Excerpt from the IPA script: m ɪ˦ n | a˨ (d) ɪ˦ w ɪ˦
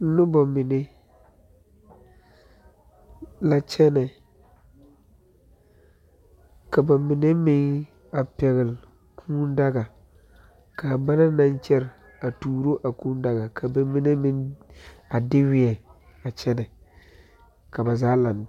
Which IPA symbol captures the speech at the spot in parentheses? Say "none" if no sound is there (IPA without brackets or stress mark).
d